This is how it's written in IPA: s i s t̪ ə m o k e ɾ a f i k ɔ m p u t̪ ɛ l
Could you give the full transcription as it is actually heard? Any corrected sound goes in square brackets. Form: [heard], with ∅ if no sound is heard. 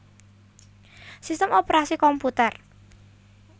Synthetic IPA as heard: s i s t̪ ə m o [p] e ɾ a [s] i k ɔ m p u t̪ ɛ [r]

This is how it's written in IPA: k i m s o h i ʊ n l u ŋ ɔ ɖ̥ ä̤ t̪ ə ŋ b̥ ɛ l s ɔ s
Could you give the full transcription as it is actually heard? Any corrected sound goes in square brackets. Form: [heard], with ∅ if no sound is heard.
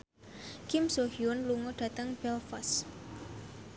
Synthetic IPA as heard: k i m s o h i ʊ n l u ŋ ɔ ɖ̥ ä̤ t̪ ə ŋ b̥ ɛ l [f] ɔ s

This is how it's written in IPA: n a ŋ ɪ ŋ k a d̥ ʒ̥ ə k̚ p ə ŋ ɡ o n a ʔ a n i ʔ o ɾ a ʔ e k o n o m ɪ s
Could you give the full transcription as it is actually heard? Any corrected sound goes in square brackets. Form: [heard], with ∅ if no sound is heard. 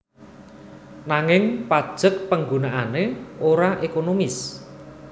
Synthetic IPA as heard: n a ŋ ɪ ŋ [p] a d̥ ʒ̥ ə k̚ p ə ŋ ɡ [u] n a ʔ a n [e] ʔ o ɾ a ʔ e k o n o m ɪ s

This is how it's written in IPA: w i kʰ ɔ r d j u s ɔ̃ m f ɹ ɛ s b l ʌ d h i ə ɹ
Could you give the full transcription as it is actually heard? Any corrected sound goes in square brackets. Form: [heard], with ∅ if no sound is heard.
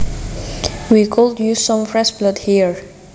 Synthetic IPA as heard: w i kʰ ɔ [l] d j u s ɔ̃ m f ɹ ɛ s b l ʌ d h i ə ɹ

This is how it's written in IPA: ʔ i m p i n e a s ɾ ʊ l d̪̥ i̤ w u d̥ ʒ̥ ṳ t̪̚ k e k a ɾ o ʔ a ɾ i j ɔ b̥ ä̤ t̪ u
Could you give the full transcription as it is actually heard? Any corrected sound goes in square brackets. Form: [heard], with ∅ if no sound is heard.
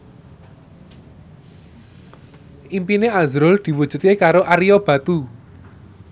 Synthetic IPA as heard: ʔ i m p i n e a [z] ɾ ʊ l d̪̥ i̤ w u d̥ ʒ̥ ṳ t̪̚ k e k a ɾ o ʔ a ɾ i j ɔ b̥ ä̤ t̪ u

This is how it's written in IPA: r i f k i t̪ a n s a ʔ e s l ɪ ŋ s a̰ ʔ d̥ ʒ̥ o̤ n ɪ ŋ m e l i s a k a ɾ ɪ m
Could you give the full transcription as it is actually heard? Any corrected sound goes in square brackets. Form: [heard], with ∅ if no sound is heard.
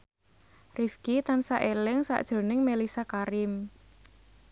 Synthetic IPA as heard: r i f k i t̪ a n s a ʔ e [∅] l ɪ ŋ s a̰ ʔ d̥ ʒ̥ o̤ n ɪ ŋ m e l i s a k a ɾ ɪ m

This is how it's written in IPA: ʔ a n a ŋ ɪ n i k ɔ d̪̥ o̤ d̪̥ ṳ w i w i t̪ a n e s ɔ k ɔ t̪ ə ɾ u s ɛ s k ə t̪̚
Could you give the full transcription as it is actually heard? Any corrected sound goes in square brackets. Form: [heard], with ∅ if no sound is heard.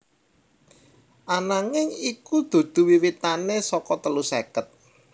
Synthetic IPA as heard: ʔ a n a ŋ ɪ [ŋ] i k [u] d̪̥ o̤ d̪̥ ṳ w i w i t̪ a n e s ɔ k ɔ t̪ ə [l] u s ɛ [∅] k ə t̪̚

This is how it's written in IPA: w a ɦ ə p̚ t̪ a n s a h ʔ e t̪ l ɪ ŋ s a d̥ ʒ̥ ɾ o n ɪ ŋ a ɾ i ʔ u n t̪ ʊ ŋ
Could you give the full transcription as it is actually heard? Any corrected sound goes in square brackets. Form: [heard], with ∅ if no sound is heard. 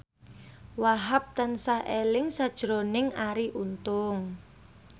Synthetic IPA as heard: w a ɦ [a] p̚ t̪ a n s a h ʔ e [∅] l ɪ ŋ s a d̥ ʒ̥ ɾ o n ɪ ŋ a ɾ i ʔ u n t̪ ʊ ŋ

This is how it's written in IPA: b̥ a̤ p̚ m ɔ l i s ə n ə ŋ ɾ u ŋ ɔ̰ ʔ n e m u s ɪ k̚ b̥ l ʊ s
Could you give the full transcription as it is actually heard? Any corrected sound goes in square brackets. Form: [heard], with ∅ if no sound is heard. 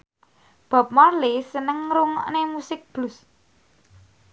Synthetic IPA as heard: b̥ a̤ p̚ m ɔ l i s ə n ə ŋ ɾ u ŋ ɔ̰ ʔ n e m u s ɪ k̚ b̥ l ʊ s

